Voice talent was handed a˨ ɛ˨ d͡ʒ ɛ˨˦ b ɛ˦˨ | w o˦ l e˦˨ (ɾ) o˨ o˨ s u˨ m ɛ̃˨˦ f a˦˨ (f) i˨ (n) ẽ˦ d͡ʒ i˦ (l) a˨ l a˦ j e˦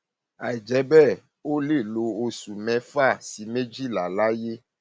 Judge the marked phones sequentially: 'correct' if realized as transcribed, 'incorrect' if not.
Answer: incorrect, incorrect, incorrect, correct

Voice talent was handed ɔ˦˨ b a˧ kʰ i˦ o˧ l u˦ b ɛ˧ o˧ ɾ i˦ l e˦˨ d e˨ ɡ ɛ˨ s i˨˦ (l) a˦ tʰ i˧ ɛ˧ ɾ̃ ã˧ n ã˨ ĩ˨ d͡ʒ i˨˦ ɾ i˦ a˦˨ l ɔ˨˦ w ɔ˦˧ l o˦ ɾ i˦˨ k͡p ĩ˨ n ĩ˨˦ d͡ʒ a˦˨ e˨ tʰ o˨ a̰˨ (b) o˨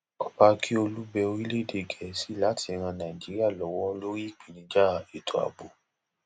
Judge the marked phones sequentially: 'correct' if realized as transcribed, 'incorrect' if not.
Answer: correct, correct

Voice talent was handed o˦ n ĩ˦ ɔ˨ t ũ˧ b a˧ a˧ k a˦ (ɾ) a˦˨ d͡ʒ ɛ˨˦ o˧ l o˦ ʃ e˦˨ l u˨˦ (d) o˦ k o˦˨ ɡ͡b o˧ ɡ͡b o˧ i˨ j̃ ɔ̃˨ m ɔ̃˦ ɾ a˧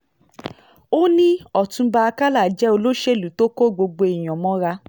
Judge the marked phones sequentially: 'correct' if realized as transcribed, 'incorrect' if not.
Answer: incorrect, incorrect

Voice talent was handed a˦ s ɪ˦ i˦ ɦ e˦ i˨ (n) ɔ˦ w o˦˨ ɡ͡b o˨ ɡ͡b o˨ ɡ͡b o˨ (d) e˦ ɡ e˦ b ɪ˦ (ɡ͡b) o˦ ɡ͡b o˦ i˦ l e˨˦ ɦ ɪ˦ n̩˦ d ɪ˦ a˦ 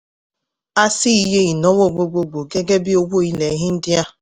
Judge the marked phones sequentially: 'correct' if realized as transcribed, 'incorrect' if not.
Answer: correct, incorrect, incorrect

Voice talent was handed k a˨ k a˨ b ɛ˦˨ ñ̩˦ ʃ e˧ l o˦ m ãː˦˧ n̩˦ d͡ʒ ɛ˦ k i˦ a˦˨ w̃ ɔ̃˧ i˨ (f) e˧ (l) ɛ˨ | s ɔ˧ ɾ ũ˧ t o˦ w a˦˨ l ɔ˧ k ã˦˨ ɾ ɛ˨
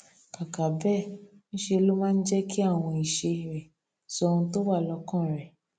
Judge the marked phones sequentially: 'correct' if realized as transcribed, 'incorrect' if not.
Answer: incorrect, incorrect

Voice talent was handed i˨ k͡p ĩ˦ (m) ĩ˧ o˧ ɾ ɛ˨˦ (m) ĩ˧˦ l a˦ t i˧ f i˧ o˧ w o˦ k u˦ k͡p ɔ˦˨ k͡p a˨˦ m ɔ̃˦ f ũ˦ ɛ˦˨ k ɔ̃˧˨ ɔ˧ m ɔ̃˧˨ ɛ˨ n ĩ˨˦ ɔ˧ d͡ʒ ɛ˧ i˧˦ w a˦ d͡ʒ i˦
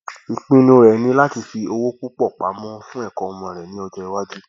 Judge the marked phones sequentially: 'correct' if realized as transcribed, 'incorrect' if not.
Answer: incorrect, incorrect

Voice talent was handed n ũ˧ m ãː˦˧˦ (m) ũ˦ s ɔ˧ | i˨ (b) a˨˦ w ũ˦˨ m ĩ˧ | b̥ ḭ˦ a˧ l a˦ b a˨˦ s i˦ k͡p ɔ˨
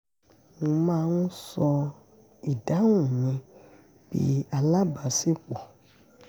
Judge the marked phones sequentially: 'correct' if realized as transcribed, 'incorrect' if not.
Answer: incorrect, incorrect

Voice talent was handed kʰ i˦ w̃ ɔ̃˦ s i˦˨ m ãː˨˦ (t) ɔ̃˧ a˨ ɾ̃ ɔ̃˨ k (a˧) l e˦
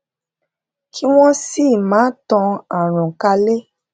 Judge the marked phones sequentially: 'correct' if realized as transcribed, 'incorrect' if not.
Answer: correct, correct

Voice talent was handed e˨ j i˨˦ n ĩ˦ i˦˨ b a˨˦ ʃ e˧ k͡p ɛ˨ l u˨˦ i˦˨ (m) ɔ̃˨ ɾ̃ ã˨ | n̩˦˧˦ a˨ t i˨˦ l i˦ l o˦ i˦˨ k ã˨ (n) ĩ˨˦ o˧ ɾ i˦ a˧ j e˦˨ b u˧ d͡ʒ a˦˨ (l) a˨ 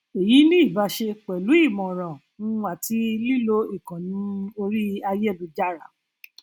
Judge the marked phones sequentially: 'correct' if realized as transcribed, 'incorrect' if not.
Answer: correct, correct, incorrect

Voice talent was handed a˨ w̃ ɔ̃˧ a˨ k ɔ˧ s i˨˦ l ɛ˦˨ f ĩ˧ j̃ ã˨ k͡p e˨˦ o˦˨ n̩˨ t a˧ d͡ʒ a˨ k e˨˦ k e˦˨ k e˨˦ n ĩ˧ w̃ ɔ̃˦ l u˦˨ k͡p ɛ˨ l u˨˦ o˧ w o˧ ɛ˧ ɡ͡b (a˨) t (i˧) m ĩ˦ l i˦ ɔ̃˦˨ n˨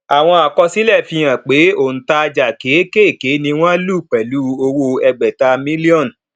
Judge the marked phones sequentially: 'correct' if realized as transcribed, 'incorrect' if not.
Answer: incorrect, incorrect

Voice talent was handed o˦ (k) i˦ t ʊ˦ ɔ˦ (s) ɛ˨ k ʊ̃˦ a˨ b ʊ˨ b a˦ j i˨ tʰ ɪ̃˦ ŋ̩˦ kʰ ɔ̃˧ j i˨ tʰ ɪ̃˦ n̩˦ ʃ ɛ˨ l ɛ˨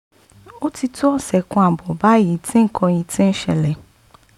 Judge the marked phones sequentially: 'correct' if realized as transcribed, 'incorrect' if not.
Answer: incorrect, correct

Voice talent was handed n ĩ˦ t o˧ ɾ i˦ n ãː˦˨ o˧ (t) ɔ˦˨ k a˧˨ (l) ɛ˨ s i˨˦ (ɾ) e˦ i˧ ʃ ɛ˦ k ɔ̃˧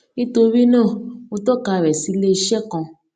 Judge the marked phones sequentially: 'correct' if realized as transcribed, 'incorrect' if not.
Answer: correct, incorrect, incorrect

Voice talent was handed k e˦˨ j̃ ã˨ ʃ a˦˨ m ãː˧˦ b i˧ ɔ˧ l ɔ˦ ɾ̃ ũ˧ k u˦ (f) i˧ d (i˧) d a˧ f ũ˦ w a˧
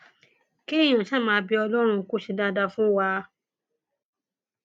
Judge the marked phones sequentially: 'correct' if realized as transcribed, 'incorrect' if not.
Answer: incorrect, incorrect

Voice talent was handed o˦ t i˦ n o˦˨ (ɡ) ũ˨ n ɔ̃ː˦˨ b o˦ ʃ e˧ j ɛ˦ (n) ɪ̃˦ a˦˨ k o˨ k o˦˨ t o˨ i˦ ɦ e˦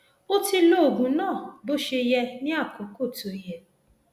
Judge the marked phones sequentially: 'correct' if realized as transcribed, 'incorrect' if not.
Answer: correct, correct

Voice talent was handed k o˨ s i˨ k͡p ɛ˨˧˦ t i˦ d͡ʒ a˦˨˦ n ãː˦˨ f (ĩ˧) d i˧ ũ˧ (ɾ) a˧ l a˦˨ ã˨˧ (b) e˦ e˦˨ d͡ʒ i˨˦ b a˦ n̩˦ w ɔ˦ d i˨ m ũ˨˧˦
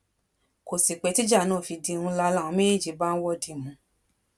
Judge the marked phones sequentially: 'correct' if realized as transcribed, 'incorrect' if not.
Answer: incorrect, incorrect, incorrect

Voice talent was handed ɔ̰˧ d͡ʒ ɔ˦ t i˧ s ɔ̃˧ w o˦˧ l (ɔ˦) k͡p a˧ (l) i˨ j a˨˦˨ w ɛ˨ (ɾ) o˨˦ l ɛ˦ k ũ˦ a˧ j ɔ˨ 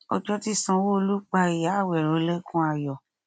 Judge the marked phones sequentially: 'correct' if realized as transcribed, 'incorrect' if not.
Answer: incorrect, incorrect, correct

